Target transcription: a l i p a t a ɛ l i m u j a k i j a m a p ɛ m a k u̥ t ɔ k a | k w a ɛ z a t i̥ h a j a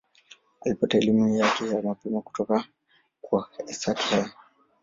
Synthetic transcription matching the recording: a l i p a t a ɛ l i m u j a k ɛ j a m a p ɛ m a k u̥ t ɔ k a | k w a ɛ s a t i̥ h a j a